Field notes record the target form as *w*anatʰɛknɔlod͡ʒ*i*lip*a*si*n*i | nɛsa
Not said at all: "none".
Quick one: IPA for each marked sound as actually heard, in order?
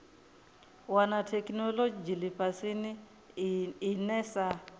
w, i, a, n

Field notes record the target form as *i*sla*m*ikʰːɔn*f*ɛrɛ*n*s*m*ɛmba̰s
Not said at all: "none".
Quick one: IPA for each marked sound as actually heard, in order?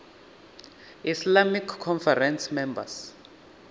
i, m, f, n, m

